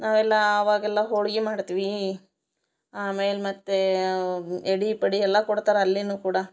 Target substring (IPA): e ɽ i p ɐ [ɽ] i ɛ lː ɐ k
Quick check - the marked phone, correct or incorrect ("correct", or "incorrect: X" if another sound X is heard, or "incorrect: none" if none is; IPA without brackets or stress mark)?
correct